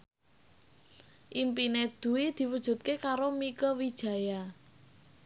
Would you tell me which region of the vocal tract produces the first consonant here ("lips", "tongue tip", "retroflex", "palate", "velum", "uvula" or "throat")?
throat